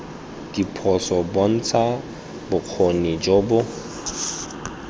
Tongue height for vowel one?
high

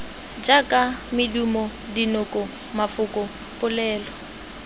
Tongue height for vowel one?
low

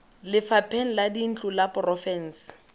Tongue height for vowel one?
high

